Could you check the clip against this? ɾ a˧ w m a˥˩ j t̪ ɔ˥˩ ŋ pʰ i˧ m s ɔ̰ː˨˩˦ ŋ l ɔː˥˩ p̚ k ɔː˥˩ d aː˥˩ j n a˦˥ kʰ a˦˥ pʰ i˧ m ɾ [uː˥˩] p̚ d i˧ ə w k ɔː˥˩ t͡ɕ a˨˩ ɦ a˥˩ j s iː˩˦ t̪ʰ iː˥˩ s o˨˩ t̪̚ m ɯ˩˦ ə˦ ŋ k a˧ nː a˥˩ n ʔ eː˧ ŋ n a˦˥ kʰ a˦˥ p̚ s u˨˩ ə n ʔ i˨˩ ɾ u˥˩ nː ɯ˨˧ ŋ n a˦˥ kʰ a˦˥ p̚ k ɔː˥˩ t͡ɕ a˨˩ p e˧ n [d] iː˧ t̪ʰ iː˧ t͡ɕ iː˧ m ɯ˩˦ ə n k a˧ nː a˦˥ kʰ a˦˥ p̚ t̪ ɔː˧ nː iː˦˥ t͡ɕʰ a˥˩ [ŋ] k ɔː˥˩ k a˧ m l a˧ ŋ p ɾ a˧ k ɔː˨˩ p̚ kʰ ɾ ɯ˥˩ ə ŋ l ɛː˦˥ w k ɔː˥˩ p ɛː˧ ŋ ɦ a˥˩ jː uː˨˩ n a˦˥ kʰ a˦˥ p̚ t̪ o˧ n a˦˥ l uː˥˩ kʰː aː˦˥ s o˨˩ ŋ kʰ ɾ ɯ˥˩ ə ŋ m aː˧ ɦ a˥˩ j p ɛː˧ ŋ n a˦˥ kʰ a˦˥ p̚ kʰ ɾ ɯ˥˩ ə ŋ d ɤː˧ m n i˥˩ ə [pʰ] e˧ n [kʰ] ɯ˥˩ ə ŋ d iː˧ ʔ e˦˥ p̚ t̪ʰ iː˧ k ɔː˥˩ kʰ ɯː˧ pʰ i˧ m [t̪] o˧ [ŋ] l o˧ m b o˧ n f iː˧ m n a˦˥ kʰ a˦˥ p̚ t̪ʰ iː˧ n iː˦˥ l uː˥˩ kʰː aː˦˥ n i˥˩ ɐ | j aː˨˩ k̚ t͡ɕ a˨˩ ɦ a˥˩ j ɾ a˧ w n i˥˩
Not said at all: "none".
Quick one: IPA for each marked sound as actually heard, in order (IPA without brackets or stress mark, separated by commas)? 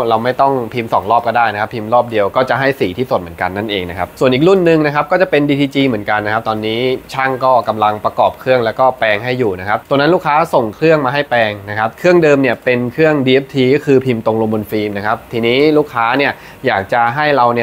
ɔː˥˩, d, ŋ, p, kʰ, t̪, ŋ